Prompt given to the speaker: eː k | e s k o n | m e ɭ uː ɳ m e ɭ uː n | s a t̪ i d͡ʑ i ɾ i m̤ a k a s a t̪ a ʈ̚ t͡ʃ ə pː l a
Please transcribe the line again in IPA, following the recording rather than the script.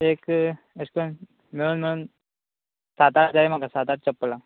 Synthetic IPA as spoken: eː k | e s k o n | m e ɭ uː n m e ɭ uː n | s a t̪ a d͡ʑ a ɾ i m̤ a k a s a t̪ a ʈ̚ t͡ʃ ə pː l a